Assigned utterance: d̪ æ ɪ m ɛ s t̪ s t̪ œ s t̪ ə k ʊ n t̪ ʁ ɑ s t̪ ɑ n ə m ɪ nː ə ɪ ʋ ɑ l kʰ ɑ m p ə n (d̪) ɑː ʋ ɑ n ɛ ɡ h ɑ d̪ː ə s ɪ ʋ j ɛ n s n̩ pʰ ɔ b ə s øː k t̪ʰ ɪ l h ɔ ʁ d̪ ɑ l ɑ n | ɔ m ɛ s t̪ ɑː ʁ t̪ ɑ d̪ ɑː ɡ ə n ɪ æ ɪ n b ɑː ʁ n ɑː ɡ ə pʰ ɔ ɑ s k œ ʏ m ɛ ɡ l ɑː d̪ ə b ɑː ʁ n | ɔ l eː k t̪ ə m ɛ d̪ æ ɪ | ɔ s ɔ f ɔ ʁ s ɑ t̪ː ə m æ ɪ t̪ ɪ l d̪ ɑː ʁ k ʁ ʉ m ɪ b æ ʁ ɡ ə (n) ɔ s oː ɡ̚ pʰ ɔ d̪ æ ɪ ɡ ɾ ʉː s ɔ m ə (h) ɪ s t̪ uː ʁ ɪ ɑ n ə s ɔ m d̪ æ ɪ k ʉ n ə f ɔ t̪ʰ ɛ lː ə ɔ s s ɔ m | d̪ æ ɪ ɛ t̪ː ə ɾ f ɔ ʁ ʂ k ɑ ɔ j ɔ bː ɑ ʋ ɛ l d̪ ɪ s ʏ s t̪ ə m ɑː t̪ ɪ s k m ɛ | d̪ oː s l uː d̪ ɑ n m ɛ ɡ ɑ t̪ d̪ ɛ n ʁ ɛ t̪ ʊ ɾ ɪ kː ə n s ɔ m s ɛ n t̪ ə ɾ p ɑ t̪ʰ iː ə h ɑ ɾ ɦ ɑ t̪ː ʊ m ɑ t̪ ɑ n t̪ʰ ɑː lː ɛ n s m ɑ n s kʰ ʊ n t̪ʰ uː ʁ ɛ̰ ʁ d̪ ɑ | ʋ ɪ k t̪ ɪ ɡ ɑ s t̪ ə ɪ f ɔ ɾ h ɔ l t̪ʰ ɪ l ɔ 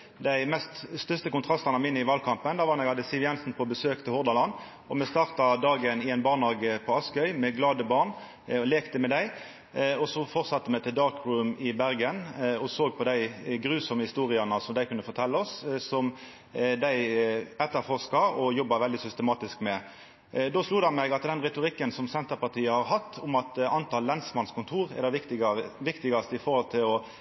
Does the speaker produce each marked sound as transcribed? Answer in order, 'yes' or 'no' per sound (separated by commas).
yes, yes, yes